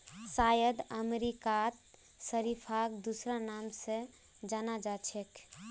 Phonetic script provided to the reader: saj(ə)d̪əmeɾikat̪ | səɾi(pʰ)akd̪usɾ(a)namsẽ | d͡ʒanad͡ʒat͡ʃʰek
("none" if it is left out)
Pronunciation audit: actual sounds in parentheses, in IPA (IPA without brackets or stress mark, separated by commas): ə, pʰ, a